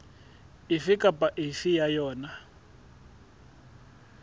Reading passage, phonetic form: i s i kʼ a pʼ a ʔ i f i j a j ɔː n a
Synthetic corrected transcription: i f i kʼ a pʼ a ʔ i f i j a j ɔː n a